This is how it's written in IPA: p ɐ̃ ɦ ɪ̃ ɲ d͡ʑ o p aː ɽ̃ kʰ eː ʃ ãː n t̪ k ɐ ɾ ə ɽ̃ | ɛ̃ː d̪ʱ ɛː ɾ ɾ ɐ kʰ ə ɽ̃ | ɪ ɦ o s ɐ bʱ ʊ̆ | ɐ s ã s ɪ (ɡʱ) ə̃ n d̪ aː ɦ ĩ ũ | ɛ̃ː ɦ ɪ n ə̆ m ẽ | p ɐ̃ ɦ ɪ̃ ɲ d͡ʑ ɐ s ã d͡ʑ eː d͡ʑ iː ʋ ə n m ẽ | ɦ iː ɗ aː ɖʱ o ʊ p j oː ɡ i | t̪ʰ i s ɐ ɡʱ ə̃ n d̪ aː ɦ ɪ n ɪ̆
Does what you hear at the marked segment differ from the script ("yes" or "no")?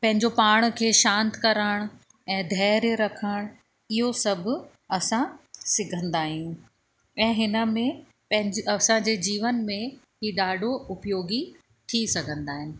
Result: no